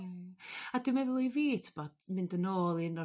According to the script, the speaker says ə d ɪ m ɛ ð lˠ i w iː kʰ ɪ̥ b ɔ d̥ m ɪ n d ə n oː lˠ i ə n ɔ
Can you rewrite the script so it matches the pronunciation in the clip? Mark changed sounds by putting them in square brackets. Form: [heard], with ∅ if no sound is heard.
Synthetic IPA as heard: [a] d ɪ m ɛ ð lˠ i [v] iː [tʰ] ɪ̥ b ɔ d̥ m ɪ n d ə n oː lˠ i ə n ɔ